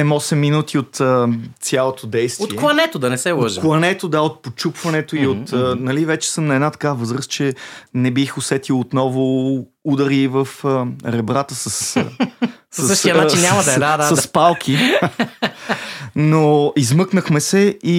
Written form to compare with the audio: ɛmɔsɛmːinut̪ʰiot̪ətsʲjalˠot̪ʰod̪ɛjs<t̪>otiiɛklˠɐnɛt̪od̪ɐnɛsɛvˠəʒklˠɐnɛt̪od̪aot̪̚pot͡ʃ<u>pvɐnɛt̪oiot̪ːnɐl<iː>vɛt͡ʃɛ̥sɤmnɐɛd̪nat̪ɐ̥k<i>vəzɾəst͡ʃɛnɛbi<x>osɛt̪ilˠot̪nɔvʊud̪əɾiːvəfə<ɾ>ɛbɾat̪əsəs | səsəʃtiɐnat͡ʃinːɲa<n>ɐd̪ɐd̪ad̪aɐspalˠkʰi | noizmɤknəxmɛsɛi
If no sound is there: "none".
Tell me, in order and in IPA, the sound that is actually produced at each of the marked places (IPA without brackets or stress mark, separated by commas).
t̪, u, i, a, x, ɾ, m